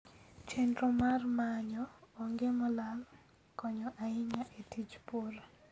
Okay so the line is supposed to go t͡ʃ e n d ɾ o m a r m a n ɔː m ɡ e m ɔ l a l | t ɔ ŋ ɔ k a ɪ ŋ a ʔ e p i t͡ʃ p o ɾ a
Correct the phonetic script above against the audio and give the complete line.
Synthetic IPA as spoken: t͡ʃ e n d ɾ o m a r m a ɲ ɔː ŋ ɡ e m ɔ l a l | k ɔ ɲ ɔ ʔ a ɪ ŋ a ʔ e t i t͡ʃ p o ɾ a